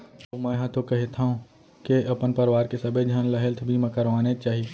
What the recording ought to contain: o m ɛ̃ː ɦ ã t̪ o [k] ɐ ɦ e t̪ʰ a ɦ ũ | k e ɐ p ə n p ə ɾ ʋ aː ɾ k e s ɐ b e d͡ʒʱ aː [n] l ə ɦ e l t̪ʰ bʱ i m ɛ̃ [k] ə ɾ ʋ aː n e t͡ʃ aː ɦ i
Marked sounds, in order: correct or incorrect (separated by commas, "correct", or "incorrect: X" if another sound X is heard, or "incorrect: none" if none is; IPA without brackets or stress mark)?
correct, correct, correct